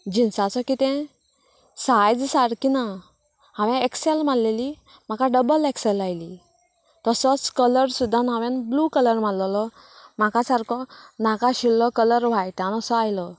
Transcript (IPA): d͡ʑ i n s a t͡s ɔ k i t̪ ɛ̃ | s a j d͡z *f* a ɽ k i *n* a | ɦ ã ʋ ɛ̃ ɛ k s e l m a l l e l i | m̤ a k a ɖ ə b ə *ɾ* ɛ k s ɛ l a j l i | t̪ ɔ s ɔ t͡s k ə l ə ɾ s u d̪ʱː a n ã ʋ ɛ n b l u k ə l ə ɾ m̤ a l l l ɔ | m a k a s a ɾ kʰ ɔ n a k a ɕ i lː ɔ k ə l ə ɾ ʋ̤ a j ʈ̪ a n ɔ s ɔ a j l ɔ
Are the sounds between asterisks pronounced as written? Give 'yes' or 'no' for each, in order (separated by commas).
no, yes, no